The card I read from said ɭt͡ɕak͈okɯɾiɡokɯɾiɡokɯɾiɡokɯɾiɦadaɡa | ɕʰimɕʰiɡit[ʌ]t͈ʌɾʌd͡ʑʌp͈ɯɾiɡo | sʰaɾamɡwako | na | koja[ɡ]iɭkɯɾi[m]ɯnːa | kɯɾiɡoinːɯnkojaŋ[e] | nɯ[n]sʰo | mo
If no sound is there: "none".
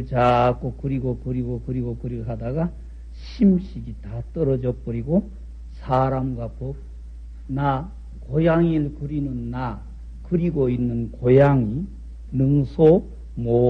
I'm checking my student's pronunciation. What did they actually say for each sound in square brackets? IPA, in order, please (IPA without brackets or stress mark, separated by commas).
a, ŋ, n, i, ŋ